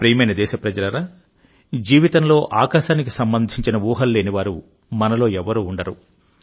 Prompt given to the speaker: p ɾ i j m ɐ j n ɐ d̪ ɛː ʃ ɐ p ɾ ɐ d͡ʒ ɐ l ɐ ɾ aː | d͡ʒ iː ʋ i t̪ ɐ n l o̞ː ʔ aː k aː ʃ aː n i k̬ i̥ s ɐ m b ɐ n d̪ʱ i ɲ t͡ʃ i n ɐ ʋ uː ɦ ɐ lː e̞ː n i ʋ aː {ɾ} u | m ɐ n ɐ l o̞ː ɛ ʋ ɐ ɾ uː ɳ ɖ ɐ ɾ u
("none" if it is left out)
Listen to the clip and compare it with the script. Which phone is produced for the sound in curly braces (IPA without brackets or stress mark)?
ɾ